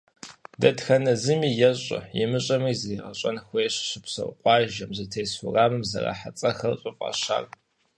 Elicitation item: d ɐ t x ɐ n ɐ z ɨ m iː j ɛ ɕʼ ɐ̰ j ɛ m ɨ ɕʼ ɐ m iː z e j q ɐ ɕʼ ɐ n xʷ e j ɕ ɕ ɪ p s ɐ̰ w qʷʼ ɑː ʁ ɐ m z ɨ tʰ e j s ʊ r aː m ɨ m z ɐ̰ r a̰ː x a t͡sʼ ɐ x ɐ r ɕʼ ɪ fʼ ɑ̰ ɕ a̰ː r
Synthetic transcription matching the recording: d ɐ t x ɐ n ɐ z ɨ m iː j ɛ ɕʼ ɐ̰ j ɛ m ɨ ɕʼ ɐ m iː z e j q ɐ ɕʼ ɐ n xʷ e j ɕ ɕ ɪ p s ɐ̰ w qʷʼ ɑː ʒ ɐ m z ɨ tʰ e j s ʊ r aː m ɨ m z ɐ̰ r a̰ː ħ a t͡sʼ ɐ x ɐ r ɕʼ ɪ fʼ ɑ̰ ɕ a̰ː r